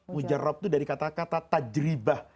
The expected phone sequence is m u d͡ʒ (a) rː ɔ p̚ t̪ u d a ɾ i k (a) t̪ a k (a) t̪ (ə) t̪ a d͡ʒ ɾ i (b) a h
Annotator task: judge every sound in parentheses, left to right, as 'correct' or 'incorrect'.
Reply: correct, correct, correct, incorrect: a, correct

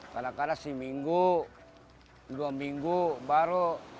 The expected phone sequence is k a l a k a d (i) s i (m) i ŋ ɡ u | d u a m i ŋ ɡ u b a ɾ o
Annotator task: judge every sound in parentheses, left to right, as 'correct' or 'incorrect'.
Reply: incorrect: a, correct

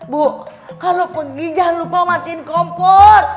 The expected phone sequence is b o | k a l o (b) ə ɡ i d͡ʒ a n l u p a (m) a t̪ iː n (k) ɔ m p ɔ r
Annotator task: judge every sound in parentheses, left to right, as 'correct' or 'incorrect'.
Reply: incorrect: p, correct, correct

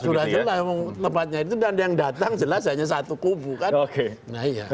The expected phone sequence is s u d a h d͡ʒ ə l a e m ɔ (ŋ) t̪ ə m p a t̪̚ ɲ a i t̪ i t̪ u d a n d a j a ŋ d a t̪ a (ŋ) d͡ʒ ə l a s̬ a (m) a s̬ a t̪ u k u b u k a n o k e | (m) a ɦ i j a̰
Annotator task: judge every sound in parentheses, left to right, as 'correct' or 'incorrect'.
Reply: correct, correct, incorrect: ɲ, incorrect: n

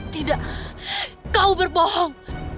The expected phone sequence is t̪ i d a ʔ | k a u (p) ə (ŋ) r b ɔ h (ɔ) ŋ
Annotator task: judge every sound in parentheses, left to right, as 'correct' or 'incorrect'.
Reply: incorrect: b, incorrect: none, correct

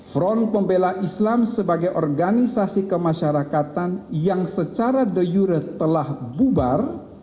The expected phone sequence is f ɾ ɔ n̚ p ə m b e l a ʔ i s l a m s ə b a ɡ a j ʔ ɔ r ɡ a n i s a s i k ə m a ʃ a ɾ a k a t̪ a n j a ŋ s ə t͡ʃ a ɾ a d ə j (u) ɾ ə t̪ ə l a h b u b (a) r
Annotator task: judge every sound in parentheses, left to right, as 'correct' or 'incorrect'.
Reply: correct, correct

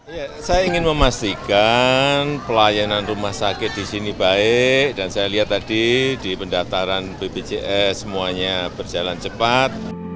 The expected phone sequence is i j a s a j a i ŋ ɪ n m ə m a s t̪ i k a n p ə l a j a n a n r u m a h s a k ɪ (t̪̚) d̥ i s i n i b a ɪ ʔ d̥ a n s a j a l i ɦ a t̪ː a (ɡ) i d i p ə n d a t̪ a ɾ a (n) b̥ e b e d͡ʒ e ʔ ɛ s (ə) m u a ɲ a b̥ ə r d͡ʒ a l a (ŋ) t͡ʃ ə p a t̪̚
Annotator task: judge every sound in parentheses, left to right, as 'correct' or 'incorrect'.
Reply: correct, incorrect: d, correct, correct, incorrect: n

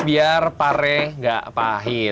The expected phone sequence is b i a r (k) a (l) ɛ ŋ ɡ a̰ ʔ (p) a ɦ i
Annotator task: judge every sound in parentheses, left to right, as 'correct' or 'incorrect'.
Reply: incorrect: p, incorrect: ɾ, correct

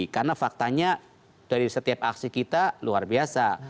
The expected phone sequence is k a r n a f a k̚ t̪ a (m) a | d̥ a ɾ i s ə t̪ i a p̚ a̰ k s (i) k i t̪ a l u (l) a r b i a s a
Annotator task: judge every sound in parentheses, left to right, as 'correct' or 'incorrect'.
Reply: incorrect: ɲ, correct, incorrect: none

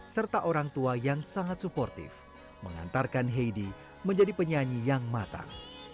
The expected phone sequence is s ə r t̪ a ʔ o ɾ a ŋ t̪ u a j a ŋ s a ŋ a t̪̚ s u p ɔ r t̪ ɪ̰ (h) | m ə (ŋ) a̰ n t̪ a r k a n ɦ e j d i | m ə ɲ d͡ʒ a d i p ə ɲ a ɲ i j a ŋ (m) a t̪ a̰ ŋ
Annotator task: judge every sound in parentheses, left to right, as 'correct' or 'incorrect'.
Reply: incorrect: f, correct, correct

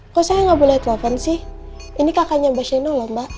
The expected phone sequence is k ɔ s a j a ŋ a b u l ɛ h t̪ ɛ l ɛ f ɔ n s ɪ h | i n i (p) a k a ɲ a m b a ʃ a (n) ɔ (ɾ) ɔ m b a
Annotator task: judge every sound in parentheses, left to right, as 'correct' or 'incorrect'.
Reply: incorrect: k, correct, incorrect: l

